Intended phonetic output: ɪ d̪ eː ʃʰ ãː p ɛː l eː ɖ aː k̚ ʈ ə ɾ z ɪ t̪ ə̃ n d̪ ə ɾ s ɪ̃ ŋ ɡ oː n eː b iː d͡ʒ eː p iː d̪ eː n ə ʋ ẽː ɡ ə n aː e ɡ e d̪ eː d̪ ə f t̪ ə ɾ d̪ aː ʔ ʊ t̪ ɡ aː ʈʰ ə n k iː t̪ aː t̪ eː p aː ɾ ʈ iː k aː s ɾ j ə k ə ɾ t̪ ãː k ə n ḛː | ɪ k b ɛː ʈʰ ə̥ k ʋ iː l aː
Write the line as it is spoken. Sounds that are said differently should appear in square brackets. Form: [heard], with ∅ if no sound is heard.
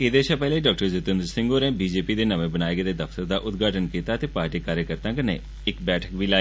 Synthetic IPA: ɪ d̪ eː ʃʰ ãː p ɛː l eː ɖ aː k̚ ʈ ə ɾ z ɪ t̪ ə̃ n d̪ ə ɾ s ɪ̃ ŋ ɡ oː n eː b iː d͡ʒ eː p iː d̪ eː n ə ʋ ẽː [b] ə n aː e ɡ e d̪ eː d̪ ə f t̪ ə ɾ d̪ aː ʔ ʊ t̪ ɡ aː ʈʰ ə n k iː t̪ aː t̪ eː p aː ɾ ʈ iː k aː [∅] ɾ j ə k ə ɾ t̪ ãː k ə n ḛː | ɪ k b ɛː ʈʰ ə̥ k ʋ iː l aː